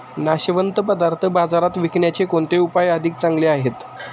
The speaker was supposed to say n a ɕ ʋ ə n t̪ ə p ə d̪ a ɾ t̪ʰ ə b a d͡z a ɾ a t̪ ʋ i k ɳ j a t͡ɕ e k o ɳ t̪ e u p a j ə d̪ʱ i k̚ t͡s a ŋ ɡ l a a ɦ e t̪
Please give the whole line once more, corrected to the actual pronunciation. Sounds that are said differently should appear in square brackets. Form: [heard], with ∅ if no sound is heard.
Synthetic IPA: n a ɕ ʋ ə n t̪ ə p ə d̪ a ɾ t̪ʰ ə b a d͡z a ɾ a t̪ ʋ i k ɳ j a t͡ɕ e k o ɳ t̪ e u p a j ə d̪ʱ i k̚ t͡s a ŋ ɡ l [e] a ɦ e t̪